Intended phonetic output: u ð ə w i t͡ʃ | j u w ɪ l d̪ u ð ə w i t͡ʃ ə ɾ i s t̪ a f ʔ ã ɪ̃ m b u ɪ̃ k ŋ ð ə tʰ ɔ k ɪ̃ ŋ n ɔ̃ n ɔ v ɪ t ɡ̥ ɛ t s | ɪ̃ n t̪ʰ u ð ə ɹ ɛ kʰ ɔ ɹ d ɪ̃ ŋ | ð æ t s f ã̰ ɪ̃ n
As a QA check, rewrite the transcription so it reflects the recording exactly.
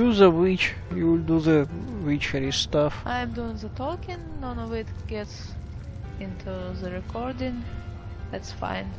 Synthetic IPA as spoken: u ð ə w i t͡ʃ | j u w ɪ l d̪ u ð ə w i t͡ʃ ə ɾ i s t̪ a f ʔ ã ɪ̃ m d u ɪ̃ ŋ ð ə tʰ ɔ k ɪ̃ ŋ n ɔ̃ n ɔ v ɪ t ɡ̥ ɛ t s | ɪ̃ n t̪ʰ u ð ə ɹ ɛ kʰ ɔ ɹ d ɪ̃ ŋ | ð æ t s f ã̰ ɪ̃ n